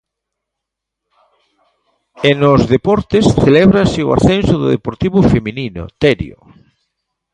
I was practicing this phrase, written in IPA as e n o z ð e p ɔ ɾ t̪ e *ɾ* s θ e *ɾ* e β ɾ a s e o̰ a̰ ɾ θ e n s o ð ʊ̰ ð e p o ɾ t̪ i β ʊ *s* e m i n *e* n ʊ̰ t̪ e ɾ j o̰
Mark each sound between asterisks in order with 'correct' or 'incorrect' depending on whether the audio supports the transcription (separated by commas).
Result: incorrect, incorrect, incorrect, incorrect